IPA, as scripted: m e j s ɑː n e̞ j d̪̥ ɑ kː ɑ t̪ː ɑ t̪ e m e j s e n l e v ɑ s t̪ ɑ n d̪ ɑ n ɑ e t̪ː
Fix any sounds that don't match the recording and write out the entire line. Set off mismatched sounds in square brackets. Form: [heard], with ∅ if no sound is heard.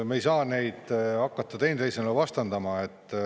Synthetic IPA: m e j s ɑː n e̞ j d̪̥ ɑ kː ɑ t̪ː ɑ t̪ e [n] e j s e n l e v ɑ s t̪ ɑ n d̪ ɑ [m] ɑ e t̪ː